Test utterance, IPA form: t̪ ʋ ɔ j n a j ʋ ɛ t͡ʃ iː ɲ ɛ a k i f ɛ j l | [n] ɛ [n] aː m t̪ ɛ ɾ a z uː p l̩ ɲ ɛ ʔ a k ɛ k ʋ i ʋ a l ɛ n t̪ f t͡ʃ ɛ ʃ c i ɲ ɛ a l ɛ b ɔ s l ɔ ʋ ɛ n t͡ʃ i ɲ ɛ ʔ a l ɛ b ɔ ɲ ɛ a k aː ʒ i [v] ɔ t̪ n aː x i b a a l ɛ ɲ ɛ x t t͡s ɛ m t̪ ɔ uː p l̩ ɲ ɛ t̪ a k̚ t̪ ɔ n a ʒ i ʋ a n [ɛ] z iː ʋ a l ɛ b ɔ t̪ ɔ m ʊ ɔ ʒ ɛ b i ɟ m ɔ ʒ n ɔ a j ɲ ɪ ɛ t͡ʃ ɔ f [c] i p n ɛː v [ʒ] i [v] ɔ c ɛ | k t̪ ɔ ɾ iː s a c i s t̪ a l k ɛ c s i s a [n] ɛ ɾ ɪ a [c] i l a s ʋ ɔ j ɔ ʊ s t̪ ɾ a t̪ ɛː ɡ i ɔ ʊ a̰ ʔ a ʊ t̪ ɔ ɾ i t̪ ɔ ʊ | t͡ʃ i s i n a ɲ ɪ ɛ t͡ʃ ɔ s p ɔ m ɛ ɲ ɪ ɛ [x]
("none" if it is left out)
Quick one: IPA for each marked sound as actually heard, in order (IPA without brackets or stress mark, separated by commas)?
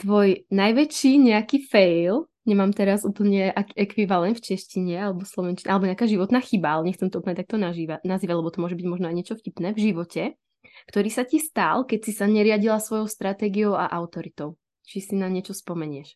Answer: ɲ, m, ʋ, a, c, ʒ, ʋ, ɲ, ɟ, ʃ